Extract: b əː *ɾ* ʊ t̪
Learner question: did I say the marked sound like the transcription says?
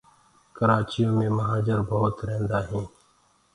no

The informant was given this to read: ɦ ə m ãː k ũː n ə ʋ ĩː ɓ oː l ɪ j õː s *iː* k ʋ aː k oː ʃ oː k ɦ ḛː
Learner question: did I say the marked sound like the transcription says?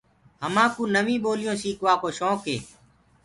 yes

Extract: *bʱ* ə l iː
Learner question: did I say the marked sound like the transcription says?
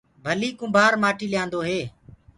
yes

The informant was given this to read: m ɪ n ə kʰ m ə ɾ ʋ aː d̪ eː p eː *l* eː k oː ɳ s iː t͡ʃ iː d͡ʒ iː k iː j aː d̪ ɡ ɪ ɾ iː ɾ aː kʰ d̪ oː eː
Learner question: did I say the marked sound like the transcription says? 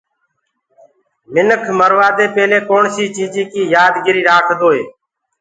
yes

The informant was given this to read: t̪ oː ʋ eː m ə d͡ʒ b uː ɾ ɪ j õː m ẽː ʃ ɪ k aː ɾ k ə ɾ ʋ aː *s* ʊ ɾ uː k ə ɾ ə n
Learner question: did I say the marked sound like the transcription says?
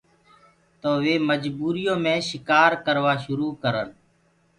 no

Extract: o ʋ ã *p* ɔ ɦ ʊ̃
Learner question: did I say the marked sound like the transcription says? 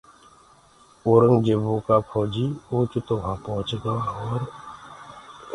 yes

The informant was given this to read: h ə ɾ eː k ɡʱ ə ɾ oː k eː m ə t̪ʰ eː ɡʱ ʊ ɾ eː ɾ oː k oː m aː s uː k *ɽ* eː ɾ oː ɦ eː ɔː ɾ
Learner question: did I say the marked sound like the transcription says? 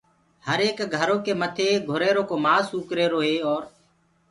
no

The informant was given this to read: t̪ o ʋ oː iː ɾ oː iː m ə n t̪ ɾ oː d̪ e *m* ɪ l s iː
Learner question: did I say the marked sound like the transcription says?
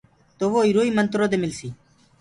yes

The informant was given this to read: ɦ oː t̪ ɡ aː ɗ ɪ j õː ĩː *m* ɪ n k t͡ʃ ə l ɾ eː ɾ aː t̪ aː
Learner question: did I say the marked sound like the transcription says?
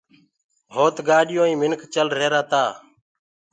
yes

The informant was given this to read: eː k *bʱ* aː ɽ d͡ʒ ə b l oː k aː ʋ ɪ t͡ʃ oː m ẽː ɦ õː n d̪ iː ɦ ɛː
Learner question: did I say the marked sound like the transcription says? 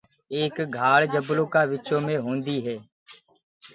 no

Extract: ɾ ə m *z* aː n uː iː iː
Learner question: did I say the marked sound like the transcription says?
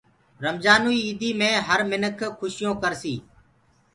yes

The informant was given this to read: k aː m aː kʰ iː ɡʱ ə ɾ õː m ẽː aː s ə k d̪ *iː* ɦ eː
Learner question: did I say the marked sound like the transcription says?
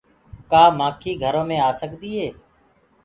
yes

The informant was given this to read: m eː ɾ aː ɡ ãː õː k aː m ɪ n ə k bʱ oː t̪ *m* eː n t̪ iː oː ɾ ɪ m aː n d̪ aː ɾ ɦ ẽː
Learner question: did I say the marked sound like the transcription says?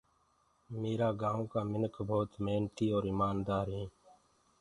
yes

